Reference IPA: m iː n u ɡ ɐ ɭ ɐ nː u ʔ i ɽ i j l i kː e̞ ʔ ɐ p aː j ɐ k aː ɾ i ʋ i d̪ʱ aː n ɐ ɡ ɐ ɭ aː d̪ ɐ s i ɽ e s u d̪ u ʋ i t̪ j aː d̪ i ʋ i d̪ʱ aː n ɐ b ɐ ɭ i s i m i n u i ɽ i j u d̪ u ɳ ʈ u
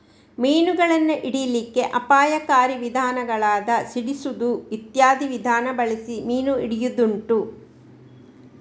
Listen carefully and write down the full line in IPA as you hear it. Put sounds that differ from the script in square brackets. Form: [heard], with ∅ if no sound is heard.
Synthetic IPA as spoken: m iː n u ɡ ɐ ɭ ɐ nː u ʔ i ɽ i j l i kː e̞ ʔ ɐ p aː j ɐ k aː ɾ i ʋ i d̪ʱ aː n ɐ ɡ ɐ ɭ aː d̪ ɐ s i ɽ [i] s u d̪ u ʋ i t̪ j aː d̪ i ʋ i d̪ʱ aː n ɐ b ɐ ɭ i s i m [iː] n u i ɽ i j u d̪ u ɳ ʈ u

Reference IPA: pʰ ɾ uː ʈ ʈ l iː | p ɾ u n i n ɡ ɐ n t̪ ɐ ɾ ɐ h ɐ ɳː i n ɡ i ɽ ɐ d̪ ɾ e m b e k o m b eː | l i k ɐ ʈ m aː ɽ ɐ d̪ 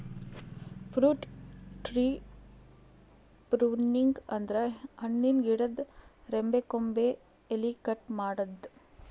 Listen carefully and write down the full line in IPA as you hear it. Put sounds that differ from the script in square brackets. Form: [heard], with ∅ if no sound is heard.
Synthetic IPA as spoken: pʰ ɾ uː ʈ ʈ [ɾ] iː | p ɾ u n i [ŋ] ɡ ɐ n [d̪] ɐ ɾ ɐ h ɐ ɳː i n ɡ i ɽ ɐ d̪ ɾ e m b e k o m b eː | l i k ɐ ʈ m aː ɽ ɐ d̪

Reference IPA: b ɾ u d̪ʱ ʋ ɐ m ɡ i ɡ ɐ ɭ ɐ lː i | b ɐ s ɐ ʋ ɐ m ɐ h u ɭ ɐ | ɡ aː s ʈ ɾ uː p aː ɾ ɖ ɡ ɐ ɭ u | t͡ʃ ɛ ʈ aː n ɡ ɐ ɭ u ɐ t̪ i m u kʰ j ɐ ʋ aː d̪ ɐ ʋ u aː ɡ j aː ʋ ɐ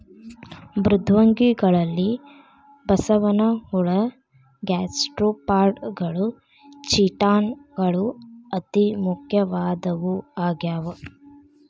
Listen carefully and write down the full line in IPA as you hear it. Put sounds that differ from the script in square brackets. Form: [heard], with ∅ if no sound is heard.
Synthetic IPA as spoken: b ɾ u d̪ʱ ʋ ɐ [ŋ] ɡ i ɡ ɐ ɭ ɐ lː i | b ɐ s ɐ ʋ ɐ [n] ɐ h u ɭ ɐ | ɡ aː s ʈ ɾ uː p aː ɾ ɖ ɡ ɐ ɭ u | t͡ʃ [i] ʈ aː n ɡ ɐ ɭ u ɐ t̪ i m u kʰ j ɐ ʋ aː d̪ ɐ ʋ u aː ɡ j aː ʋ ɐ

